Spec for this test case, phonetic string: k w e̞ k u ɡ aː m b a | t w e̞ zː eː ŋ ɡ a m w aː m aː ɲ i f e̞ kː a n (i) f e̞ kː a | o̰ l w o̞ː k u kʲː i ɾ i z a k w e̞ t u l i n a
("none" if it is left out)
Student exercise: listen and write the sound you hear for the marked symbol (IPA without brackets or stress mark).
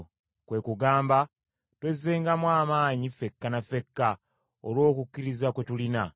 a